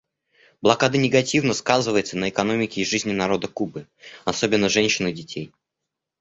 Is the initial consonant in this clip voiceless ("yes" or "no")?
no